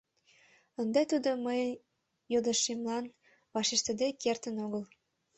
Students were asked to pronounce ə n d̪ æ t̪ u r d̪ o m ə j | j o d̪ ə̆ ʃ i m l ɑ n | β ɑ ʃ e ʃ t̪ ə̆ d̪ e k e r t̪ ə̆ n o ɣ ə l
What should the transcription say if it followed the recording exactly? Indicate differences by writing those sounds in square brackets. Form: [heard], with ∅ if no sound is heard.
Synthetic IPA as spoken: ə n d̪ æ t̪ u [∅] d̪ o m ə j | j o d̪ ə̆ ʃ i m l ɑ n | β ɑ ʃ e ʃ t̪ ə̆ d̪ e k e r t̪ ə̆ n o ɣ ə l